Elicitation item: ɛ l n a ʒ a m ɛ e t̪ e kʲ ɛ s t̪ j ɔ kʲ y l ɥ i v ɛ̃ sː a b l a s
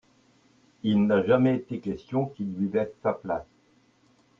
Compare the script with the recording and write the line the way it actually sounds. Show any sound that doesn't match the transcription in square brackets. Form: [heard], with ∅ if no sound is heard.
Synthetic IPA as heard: [i] l n a ʒ a m ɛ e t̪ e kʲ ɛ s t̪ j [ɔ̃] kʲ [i] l ɥ i v [ɛ] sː a [p] l a s